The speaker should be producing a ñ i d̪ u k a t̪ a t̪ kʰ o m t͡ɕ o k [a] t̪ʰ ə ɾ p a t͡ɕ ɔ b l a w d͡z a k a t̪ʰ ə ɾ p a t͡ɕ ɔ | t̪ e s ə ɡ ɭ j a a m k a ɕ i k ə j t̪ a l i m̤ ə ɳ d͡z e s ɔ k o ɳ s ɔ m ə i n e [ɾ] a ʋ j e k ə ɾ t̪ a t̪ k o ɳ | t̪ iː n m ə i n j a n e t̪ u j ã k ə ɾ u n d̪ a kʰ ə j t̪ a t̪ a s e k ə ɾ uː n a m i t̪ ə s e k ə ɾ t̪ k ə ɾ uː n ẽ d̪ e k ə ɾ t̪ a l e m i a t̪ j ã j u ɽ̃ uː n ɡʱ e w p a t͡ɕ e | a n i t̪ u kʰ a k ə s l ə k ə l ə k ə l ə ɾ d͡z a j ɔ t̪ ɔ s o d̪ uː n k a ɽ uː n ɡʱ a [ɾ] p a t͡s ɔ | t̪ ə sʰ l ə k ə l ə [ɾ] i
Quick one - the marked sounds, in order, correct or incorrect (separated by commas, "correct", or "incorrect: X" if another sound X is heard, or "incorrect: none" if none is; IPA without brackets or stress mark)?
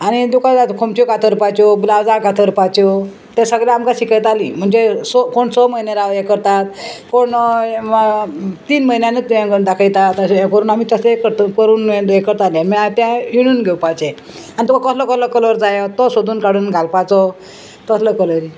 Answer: correct, correct, incorrect: l, correct